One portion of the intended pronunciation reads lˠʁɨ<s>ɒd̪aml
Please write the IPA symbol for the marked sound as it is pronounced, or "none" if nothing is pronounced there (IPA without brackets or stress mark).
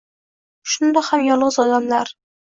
z